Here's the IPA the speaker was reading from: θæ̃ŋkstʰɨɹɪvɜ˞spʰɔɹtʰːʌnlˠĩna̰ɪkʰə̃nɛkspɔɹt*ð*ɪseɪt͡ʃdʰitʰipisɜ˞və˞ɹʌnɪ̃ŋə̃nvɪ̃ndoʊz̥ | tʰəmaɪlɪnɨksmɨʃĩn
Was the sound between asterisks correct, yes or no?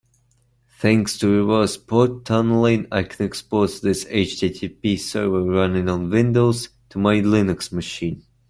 yes